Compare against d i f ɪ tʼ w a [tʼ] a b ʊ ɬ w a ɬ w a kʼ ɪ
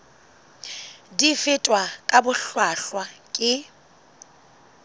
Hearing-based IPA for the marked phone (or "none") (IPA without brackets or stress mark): kʼ